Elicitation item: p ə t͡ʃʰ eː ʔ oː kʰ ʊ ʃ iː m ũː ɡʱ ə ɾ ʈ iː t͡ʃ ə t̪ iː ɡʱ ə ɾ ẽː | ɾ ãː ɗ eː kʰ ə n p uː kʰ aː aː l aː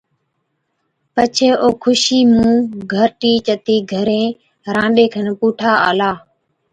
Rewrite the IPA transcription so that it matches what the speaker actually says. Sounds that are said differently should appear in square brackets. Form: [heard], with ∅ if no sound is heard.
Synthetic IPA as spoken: p ə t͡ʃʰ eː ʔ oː kʰ ʊ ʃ iː m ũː ɡʱ ə ɾ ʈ iː t͡ʃ ə t̪ iː ɡʱ ə ɾ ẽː | ɾ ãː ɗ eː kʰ ə n p uː [ʈʰ] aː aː l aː